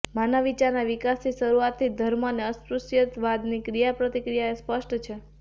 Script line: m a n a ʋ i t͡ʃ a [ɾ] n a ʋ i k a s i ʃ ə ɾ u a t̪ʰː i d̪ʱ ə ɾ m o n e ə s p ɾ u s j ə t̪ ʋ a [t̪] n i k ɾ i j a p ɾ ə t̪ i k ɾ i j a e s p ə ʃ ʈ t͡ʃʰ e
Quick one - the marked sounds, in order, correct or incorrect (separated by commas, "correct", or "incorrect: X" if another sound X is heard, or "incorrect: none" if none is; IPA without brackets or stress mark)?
correct, incorrect: d̪